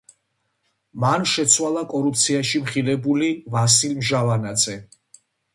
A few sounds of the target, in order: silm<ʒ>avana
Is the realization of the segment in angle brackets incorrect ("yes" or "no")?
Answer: no